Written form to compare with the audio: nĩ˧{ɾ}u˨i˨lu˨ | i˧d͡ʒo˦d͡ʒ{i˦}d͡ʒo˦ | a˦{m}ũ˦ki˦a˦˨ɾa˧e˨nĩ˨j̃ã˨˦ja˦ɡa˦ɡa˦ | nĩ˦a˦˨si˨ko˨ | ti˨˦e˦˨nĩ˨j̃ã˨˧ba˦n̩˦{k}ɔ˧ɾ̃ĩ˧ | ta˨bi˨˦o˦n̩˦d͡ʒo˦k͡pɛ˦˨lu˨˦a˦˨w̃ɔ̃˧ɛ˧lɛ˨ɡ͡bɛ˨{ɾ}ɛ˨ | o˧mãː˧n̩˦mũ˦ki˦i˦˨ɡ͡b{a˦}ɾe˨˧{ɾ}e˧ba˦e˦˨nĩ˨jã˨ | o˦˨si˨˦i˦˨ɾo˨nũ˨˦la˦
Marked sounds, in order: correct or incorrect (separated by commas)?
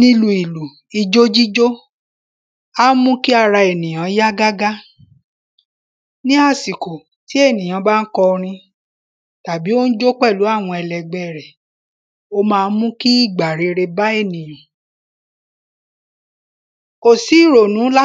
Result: incorrect, correct, correct, correct, correct, incorrect, correct